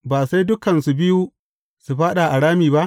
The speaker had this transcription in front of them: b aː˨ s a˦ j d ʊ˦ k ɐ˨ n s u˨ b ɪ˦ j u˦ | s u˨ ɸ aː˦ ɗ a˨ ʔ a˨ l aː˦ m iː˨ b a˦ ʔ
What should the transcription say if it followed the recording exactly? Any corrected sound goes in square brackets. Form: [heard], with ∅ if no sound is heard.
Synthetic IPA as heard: b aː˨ s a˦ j d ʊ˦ k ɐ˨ n s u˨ b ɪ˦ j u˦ | s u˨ ɸ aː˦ ɗ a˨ ʔ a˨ [ɽ] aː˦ m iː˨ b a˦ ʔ